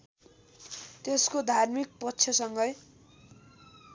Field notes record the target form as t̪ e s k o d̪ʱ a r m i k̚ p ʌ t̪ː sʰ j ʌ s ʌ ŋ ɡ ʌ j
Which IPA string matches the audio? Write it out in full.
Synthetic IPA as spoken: t̪ e s k o d̪ʱ a r m i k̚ p ʌ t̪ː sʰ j ʌ s ʌ ŋ ɡ ʌ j